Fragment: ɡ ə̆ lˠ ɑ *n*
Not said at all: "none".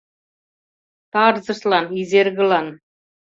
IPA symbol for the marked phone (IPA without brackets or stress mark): n